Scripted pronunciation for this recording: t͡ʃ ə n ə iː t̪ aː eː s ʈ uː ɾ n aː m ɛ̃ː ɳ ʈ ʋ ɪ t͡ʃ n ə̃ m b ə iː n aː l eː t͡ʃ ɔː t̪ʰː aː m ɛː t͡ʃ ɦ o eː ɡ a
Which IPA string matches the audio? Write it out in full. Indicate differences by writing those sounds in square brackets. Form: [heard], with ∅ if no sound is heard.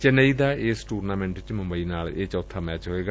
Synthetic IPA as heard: t͡ʃ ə n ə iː [d̪] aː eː s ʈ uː ɾ n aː m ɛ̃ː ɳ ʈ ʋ ɪ t͡ʃ [m] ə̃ m b ə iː n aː l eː t͡ʃ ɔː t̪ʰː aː m ɛː t͡ʃ ɦ o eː ɡ a